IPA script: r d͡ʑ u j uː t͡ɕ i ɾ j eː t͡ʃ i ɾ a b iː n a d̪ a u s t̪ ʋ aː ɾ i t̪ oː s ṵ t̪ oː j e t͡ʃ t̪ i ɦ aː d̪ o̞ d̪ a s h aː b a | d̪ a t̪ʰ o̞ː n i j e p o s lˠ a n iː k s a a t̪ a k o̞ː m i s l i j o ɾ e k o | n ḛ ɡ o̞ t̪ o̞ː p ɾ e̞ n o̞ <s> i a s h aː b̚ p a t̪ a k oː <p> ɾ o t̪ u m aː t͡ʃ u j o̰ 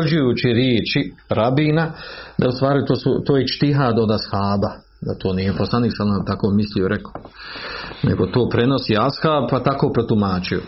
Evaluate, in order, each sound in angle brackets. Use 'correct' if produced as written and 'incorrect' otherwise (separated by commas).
correct, correct